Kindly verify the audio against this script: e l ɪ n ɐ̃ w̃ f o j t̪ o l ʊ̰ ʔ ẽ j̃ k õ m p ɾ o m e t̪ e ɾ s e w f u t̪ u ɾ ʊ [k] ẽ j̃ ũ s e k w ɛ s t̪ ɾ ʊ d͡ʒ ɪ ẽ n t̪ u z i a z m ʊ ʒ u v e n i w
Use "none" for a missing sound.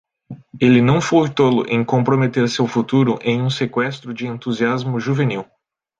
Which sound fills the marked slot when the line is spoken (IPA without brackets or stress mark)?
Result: ʔ